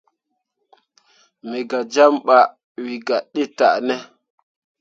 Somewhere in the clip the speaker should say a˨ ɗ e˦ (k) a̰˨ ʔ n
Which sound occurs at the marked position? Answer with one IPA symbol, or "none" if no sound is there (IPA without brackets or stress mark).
t